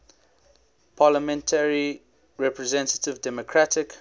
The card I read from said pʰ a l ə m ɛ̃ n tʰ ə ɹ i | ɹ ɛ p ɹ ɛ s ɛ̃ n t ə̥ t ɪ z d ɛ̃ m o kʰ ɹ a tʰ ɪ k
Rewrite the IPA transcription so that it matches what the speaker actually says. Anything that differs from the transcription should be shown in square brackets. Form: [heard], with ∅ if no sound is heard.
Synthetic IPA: pʰ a l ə m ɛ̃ n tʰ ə ɹ i | ɹ ɛ p ɹ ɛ [z] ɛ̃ n t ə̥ t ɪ [v] d [ɛ] m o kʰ ɹ a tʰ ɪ k